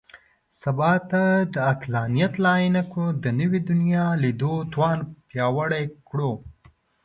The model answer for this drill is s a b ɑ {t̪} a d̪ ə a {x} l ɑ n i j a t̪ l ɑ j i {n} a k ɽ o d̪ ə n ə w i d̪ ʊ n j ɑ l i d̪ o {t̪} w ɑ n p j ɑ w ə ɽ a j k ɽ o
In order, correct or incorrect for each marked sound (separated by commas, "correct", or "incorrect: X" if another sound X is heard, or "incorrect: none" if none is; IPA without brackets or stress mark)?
correct, incorrect: k, correct, correct